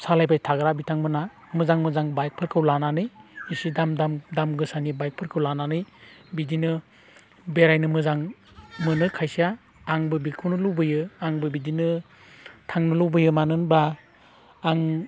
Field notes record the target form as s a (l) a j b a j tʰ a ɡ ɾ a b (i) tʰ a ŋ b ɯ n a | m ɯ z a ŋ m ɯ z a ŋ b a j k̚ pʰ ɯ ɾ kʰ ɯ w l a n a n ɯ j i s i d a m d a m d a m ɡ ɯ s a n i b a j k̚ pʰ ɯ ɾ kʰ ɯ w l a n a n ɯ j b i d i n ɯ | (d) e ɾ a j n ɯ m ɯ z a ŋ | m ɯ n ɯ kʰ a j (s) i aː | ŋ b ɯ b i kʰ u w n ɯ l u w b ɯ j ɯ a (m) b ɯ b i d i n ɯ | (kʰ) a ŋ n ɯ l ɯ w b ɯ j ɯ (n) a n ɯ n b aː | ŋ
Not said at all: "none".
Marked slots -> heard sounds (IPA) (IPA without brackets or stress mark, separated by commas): l, i, b, s, ŋ, tʰ, m